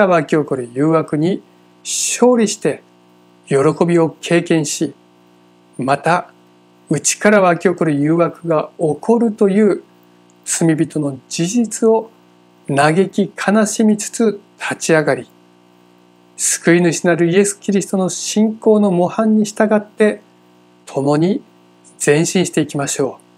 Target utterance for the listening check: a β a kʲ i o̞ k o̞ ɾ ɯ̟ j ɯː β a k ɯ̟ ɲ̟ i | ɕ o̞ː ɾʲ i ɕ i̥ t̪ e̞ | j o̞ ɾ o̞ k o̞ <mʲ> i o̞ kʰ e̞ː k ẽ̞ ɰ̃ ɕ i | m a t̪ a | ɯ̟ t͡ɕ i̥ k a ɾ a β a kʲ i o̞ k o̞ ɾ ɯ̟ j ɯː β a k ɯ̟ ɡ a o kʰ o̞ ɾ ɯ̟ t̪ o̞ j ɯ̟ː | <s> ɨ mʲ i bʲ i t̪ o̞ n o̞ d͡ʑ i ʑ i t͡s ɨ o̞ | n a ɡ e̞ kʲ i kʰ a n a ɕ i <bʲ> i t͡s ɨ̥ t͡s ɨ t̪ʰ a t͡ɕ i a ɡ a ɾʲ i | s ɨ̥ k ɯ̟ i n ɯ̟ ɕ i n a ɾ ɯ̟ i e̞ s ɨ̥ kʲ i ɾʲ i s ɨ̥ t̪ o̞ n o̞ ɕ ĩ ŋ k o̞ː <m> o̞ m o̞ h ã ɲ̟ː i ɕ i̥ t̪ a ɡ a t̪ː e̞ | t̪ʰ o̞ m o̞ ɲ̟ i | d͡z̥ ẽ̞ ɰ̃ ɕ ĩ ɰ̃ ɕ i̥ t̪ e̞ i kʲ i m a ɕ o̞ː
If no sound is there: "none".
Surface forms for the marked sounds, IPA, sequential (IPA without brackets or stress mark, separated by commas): bʲ, t͡s, mʲ, n